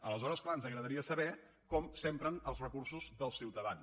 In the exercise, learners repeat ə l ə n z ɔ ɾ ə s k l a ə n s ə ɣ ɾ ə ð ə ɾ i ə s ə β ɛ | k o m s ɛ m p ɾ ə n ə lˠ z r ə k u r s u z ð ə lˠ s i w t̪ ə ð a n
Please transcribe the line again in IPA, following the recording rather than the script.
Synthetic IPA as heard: ə l ə z ɔ ɾ ə s k l a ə n z ə ɣ ɾ ə ð ə ɾ i ə s ə β ɛ | k ɔ m s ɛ m p ɾ ə n ə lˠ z r ə k u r s u z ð ə lˠ s i w t̪ ə ð a n